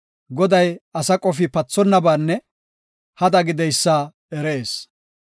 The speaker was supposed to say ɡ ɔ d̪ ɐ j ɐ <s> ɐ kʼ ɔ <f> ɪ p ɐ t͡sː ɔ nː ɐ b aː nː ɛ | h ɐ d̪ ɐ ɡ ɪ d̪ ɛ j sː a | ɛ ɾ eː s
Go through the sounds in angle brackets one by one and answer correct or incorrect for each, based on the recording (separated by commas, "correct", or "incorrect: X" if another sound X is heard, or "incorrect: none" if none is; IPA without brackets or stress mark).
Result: correct, correct